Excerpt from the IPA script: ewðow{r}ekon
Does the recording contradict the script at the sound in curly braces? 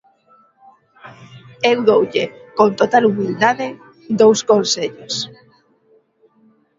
yes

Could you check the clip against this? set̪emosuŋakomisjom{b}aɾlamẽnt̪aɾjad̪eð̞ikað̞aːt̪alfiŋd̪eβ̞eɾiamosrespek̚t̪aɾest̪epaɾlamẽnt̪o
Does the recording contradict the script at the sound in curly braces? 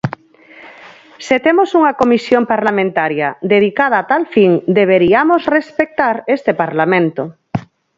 yes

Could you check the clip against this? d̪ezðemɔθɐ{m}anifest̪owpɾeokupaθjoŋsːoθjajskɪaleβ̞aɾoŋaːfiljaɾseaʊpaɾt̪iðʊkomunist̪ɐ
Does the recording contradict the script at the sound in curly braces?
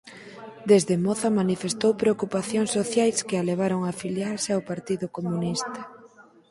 no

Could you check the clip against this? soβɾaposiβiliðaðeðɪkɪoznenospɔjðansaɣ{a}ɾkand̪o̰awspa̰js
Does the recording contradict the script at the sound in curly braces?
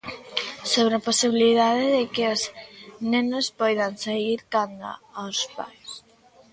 yes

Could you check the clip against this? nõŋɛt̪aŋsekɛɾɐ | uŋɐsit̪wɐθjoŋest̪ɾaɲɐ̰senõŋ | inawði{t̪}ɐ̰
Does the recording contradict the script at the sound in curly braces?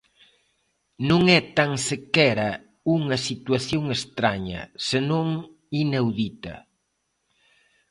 no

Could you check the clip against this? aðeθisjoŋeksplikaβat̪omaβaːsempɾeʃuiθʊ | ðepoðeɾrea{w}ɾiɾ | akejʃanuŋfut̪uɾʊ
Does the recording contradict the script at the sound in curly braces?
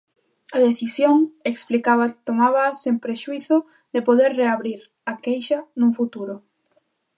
yes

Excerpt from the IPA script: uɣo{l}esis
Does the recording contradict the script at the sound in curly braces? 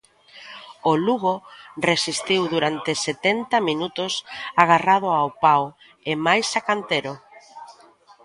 yes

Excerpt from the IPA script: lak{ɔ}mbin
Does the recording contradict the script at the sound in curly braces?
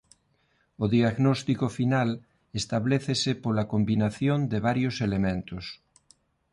yes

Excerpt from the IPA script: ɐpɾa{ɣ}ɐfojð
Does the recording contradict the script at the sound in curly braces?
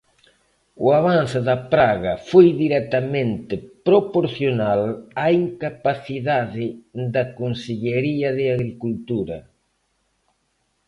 no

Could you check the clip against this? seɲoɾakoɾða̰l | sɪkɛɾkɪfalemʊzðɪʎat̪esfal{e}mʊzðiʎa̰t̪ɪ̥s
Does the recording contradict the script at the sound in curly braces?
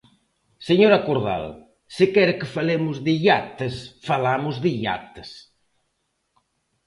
yes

